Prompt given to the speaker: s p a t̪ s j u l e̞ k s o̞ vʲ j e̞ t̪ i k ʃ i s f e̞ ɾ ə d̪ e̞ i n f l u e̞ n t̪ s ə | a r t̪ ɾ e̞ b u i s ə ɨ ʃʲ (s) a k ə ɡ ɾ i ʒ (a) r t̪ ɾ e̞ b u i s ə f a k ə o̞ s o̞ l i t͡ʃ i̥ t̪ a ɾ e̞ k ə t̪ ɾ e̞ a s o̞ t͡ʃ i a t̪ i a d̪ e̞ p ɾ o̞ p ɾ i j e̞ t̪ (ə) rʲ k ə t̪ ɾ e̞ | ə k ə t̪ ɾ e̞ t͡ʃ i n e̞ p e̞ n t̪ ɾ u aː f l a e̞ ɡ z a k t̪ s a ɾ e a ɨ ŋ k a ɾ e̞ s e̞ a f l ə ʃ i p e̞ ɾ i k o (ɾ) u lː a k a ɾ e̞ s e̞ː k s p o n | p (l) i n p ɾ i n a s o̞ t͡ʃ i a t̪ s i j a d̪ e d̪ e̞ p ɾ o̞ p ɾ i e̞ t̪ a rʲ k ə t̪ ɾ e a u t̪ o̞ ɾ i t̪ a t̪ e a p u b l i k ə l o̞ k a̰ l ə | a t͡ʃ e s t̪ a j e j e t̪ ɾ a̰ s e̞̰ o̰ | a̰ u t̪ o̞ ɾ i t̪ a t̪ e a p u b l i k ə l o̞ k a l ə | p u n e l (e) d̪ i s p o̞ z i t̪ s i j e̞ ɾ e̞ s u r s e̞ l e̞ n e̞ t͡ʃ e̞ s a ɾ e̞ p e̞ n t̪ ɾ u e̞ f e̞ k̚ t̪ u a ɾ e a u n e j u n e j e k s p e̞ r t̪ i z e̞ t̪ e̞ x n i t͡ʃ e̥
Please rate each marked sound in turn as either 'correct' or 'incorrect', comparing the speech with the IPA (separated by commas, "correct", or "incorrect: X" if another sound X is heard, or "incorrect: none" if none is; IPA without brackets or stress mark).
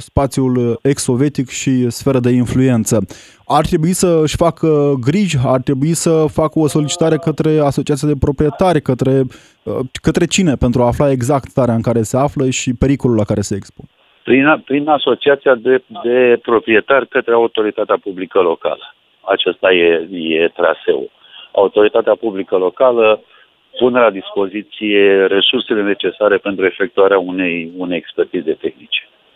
incorrect: f, correct, incorrect: a, incorrect: l, incorrect: ɾ, incorrect: a